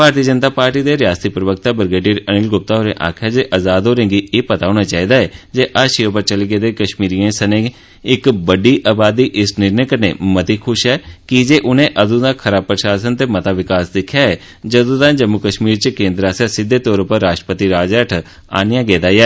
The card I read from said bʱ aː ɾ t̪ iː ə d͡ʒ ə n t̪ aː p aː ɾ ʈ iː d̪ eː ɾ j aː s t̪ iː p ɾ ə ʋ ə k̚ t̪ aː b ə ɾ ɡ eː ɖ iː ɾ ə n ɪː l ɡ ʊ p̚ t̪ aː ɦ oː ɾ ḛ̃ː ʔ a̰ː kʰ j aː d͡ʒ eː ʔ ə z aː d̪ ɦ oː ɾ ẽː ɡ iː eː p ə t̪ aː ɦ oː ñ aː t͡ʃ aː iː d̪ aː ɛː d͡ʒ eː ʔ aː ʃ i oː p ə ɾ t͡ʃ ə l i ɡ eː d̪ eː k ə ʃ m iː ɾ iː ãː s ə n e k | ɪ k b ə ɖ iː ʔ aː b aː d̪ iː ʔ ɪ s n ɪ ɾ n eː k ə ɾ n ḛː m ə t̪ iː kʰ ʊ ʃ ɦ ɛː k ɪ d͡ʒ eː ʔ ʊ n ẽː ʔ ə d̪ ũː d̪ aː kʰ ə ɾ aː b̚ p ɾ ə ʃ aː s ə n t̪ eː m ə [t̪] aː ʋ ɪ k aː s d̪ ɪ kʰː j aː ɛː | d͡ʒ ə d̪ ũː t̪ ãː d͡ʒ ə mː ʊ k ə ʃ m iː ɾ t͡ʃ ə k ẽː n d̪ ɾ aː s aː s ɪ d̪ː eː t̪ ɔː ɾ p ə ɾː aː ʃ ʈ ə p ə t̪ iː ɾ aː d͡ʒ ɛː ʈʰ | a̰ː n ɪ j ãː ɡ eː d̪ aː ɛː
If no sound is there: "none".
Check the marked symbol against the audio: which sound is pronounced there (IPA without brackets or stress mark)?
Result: t̪